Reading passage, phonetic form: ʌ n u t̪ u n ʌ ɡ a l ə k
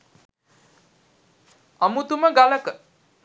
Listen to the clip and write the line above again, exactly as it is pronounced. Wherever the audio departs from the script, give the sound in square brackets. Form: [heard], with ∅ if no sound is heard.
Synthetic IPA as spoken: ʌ [m] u t̪ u [m] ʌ ɡ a l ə k